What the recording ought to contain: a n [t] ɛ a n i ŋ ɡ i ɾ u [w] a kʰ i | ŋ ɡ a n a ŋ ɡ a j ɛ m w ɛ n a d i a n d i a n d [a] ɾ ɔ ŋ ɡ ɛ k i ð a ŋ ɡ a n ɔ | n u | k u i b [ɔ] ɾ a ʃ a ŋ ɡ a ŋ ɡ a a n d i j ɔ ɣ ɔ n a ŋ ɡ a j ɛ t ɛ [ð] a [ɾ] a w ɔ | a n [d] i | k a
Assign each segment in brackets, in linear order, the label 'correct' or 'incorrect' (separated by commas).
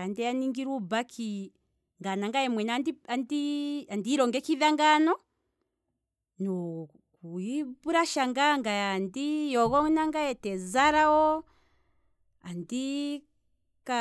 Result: incorrect, incorrect, incorrect, incorrect, incorrect, correct, correct